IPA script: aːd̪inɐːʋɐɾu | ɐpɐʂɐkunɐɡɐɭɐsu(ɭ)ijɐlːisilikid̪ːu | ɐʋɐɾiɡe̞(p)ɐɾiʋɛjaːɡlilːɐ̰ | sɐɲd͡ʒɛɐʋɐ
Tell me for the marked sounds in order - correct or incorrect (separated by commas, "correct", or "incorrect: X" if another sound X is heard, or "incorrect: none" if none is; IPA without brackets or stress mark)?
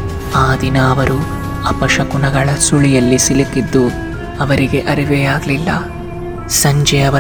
correct, incorrect: ʔ